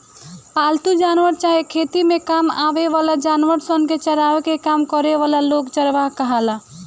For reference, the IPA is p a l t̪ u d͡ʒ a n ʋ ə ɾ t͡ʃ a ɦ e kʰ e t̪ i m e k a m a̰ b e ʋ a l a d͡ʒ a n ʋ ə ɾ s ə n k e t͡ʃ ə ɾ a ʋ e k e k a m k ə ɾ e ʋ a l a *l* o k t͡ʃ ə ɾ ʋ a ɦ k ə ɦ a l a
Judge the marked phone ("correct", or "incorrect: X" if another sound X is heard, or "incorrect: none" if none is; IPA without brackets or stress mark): correct